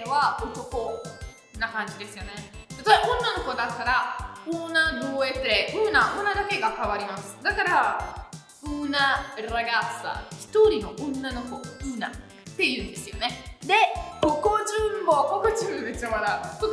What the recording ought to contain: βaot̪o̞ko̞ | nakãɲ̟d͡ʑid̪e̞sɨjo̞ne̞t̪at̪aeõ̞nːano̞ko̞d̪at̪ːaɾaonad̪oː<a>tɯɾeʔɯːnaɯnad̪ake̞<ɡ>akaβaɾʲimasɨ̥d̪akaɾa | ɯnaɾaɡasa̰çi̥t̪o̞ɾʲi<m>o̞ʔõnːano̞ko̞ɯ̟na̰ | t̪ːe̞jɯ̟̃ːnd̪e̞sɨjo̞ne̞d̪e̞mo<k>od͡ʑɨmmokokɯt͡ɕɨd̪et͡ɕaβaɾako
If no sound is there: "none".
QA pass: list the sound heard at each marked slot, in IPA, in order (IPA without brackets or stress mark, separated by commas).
e, ɡ, n, k